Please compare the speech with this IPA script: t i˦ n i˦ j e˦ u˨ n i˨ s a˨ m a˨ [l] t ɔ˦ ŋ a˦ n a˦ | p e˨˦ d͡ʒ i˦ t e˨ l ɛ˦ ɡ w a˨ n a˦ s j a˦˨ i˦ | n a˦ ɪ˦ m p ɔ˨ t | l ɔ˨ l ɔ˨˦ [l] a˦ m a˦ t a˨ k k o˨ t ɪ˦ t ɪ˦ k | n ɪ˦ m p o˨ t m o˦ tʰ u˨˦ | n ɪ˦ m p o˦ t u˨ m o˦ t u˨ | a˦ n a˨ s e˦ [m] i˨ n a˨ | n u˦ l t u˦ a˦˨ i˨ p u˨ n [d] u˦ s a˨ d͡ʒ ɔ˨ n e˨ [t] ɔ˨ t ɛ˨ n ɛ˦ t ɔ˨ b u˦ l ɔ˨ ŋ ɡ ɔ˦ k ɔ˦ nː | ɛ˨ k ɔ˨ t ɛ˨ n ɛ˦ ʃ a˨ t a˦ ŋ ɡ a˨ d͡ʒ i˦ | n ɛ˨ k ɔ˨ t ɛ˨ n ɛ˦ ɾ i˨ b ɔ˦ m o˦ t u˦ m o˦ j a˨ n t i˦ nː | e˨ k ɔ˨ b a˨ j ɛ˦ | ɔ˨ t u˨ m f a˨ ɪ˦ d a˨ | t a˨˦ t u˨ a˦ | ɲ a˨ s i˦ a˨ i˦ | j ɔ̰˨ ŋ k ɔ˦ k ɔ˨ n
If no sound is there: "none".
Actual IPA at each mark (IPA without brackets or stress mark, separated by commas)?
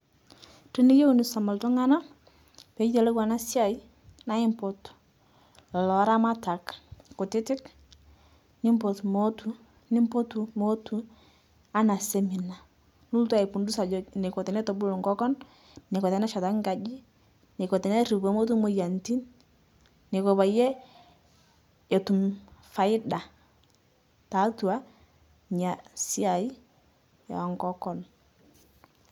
l, ɾ, m, d, k